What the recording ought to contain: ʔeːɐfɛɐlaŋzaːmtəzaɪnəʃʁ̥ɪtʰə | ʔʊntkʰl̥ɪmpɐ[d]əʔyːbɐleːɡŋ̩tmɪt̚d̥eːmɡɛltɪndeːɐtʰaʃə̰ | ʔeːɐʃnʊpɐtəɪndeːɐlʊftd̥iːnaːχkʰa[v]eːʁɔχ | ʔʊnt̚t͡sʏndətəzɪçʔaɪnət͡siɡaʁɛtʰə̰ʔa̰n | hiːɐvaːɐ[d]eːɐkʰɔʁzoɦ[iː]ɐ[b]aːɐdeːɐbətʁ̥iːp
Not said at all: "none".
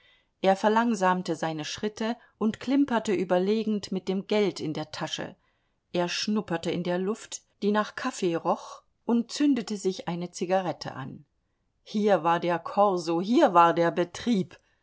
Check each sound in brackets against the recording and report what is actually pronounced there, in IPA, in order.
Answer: t, f, d, iː, v

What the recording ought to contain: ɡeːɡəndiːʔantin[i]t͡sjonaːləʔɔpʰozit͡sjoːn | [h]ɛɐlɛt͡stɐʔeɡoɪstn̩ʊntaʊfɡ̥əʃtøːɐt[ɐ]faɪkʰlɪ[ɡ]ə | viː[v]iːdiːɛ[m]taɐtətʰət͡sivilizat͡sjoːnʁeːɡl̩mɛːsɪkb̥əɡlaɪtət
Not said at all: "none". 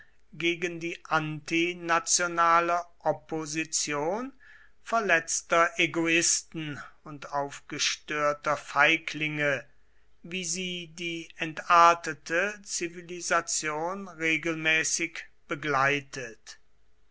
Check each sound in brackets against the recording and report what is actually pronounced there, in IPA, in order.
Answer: a, f, ɐ, ŋ, z, n

